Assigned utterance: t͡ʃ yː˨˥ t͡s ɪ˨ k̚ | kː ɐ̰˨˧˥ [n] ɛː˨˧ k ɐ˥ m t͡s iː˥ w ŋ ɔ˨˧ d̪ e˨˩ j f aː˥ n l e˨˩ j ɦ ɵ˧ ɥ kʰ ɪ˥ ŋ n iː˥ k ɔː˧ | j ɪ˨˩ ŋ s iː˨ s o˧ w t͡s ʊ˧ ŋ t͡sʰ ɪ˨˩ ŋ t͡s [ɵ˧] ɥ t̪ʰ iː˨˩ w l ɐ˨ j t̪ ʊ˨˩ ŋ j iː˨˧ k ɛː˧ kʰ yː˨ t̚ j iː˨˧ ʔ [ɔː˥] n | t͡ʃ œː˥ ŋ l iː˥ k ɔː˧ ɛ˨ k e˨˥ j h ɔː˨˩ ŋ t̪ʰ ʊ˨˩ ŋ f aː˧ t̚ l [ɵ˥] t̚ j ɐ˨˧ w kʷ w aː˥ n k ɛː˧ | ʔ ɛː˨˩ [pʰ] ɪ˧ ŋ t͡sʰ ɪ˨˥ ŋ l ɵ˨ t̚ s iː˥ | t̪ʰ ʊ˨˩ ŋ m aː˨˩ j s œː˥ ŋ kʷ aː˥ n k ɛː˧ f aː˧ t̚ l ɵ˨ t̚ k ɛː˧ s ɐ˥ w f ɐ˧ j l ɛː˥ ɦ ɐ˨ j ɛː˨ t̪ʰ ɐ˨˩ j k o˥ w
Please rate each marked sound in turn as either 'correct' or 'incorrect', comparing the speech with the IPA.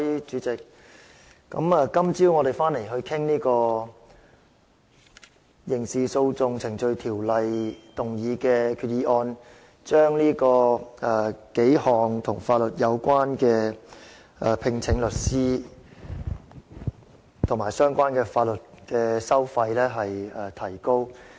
incorrect: m, correct, incorrect: ɔː˧, incorrect: ɵ˨, correct

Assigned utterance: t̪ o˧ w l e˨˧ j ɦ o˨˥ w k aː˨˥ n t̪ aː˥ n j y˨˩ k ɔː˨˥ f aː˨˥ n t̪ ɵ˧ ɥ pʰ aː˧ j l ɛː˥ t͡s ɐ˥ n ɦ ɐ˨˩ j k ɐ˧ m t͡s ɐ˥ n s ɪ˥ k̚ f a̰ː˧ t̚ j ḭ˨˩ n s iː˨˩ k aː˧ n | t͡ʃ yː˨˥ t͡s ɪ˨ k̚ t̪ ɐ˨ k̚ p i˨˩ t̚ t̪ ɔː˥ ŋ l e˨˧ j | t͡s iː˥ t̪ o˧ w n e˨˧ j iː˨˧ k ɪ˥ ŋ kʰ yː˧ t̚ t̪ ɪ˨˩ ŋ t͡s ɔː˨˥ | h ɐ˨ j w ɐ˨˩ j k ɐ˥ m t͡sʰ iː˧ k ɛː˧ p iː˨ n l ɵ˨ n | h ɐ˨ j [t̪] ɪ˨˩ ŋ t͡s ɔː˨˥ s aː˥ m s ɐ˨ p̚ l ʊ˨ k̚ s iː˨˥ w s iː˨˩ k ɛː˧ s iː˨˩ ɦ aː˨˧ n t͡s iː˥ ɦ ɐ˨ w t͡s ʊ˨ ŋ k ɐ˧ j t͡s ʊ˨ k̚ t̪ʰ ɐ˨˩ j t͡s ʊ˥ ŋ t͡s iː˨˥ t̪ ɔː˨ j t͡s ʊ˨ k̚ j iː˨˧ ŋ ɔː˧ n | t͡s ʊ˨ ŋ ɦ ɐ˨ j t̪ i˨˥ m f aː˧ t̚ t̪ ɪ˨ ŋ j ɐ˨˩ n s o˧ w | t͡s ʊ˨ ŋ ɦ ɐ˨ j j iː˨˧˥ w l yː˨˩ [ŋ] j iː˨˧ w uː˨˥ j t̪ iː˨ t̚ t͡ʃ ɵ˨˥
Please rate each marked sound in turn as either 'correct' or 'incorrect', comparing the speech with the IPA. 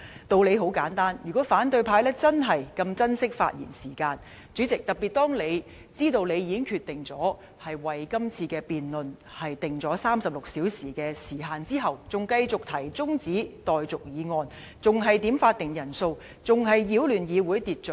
correct, incorrect: n

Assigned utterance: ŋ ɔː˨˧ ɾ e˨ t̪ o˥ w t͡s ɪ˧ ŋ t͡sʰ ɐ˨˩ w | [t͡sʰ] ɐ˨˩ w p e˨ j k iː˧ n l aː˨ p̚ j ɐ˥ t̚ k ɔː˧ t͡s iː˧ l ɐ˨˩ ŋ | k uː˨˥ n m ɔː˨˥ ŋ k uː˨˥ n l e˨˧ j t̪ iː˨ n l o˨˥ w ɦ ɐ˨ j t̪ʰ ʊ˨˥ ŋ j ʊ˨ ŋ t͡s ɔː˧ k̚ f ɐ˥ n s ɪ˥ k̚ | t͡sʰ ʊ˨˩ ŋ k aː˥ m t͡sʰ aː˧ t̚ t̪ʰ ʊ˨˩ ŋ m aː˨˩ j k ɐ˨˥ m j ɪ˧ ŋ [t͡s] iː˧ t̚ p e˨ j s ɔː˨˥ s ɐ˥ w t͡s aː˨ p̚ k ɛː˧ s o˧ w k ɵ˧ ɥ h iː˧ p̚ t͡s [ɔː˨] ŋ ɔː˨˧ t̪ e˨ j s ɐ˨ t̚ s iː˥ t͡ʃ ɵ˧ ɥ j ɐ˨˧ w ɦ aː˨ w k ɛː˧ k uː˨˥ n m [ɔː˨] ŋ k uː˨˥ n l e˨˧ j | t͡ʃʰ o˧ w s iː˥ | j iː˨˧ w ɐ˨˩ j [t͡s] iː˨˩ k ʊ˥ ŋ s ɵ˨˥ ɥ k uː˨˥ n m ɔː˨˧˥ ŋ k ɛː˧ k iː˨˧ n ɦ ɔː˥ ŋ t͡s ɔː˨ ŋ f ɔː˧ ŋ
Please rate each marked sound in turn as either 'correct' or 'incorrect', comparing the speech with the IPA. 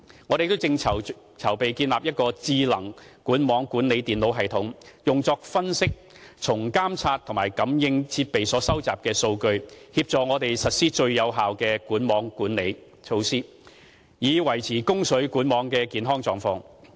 correct, incorrect: t͡sʰ, correct, incorrect: ɔː˨˥, incorrect: t͡sʰ

